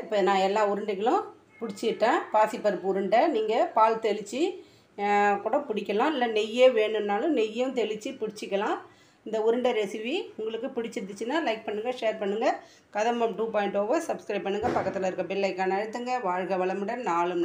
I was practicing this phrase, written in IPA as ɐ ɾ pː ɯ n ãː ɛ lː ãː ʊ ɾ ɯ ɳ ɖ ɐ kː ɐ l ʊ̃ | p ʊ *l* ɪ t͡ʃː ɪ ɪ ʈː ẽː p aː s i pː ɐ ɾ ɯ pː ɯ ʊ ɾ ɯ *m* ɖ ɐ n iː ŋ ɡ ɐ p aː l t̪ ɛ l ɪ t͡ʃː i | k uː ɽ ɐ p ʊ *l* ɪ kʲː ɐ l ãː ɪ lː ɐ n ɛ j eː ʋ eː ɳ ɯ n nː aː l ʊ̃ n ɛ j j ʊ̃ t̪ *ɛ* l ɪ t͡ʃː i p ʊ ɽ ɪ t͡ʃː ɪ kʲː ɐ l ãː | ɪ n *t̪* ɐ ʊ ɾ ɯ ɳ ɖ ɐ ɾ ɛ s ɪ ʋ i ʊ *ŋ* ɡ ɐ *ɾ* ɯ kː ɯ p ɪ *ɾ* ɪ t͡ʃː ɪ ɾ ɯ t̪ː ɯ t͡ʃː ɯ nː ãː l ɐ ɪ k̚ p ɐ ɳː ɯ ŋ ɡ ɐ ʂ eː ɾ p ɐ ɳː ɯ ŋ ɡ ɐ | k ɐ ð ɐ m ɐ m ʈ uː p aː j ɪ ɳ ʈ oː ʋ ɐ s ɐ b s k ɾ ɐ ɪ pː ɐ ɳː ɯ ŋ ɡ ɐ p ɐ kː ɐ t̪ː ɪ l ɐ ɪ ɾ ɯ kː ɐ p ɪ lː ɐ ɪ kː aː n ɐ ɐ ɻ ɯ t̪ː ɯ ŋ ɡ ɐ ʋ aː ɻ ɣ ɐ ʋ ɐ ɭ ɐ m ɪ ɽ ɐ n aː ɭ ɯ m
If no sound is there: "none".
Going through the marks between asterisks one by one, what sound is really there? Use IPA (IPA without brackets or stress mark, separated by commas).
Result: ɽ, ɳ, ɽ, ɛ, d̪, ŋ, ɭ, ɽ